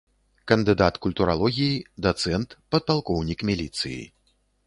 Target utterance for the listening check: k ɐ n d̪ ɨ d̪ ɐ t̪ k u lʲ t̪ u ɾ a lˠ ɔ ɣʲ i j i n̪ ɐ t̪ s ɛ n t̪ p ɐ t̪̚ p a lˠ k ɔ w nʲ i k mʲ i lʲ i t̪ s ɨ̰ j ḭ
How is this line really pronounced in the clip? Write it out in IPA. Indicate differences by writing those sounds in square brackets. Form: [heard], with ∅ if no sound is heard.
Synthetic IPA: k ɐ n d̪ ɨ d̪ [a] t̪ k u lʲ t̪ u ɾ a lˠ ɔ ɣʲ i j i [d̪] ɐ t̪ s ɛ n t̪ p ɐ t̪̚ p a lˠ k ɔ w nʲ i k mʲ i lʲ i t̪ s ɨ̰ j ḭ